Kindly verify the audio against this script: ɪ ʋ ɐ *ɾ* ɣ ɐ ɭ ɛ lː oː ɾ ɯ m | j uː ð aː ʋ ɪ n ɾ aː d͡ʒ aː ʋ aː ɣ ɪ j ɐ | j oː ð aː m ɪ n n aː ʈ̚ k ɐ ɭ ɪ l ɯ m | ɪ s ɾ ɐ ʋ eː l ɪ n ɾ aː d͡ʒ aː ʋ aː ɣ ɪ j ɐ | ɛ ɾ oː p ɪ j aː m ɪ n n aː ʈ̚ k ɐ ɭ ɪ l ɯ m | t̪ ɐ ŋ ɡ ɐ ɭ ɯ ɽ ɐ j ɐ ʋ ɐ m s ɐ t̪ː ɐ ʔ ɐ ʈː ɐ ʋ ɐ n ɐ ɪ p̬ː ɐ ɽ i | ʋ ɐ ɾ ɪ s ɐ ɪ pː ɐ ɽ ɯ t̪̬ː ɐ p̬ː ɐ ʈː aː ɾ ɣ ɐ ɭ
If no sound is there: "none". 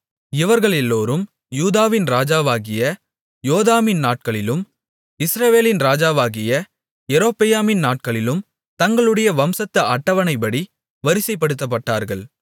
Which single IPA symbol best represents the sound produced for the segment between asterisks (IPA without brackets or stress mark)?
ɾ